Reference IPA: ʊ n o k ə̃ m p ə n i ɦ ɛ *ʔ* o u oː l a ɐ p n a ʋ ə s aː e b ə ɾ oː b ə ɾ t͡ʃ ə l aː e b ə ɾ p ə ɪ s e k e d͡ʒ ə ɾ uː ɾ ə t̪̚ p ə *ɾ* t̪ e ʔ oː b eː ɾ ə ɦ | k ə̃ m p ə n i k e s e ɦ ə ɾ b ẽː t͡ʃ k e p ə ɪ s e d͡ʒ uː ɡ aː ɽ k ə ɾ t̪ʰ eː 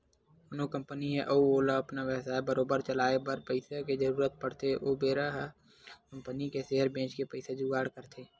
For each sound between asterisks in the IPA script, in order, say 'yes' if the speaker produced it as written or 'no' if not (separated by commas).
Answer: yes, no